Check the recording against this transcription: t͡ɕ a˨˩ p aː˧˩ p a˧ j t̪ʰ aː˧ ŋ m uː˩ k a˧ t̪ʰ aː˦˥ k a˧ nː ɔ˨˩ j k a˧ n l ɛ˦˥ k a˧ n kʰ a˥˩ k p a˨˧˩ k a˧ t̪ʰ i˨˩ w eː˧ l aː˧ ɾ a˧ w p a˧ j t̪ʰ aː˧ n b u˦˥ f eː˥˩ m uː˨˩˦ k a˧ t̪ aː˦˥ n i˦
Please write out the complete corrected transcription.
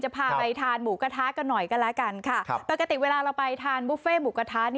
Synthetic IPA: t͡ɕ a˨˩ pʰ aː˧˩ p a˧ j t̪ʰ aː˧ n m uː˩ k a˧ t̪ʰ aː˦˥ k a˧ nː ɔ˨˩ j k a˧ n l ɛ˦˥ k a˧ n kʰ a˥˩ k p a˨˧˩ k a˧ t̪ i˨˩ w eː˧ l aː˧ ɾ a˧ w p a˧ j t̪ʰ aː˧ n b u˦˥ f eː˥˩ m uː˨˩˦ k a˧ t̪ʰ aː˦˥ n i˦